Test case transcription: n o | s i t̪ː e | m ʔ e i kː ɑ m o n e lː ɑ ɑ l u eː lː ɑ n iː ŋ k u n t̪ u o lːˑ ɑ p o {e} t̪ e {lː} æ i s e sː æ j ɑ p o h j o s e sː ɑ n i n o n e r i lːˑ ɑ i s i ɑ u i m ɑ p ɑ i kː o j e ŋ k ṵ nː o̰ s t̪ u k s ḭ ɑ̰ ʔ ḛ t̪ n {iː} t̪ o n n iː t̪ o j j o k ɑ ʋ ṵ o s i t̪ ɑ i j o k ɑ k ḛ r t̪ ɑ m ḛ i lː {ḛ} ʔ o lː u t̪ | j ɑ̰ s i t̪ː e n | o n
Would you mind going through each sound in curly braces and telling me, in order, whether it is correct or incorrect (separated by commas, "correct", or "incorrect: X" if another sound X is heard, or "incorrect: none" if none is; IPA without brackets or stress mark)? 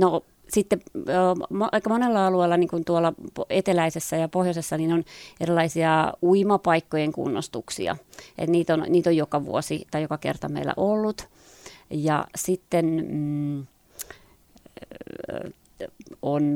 correct, incorrect: l, correct, incorrect: æ̰